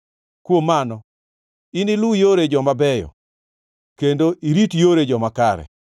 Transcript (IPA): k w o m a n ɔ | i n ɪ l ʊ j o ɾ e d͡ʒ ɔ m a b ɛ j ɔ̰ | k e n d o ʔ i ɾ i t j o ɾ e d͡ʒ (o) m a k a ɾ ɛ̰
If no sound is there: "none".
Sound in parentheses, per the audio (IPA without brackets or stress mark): ɔ